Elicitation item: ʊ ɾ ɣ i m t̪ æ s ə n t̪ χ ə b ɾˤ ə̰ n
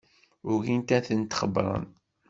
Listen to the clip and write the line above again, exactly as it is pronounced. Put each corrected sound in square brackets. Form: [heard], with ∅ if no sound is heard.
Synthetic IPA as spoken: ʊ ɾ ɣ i [n] t̪ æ [θ] ə n t̪ χ ə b ɾˤ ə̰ n